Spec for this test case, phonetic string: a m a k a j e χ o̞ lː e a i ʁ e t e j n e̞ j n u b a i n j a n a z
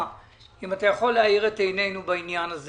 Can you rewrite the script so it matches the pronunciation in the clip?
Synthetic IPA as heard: i m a t a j a χ o̞ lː e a i ʁ e t e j n e̞ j n u b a i n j a n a z